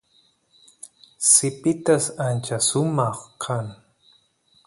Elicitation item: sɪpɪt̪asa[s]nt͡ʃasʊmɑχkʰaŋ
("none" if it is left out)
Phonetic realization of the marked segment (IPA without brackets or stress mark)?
none